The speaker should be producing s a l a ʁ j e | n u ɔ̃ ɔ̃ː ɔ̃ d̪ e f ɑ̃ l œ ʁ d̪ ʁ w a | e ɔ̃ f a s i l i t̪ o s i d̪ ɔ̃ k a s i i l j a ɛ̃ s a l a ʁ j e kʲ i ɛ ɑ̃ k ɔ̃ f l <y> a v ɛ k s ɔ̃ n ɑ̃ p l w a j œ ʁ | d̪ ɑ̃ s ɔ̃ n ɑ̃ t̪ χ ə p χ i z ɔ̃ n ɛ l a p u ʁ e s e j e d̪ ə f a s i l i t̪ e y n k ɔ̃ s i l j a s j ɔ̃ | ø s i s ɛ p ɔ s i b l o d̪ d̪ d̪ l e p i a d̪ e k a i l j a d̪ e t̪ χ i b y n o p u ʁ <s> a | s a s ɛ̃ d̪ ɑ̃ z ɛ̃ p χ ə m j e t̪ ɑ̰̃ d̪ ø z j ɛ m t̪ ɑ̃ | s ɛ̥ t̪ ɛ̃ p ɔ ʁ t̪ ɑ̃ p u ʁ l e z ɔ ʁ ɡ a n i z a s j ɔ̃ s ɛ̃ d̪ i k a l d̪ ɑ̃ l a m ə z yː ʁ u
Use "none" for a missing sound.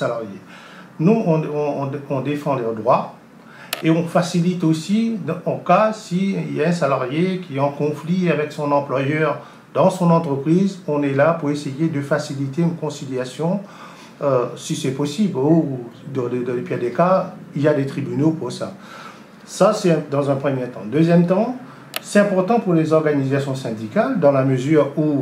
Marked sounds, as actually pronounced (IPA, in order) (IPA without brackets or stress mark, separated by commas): i, s